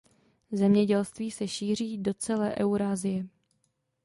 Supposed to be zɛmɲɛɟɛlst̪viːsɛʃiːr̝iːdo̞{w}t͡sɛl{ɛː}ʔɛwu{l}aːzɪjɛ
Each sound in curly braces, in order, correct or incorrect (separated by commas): incorrect, correct, incorrect